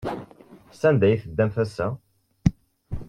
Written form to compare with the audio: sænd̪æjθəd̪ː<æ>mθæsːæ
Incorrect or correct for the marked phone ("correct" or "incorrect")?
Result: correct